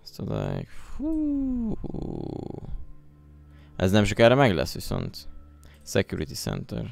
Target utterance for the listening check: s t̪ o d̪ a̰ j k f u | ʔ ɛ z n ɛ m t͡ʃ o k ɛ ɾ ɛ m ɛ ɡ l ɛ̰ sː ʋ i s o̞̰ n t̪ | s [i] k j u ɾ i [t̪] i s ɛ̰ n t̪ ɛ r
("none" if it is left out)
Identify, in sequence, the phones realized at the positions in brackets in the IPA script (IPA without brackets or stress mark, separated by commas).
ɛ, t̪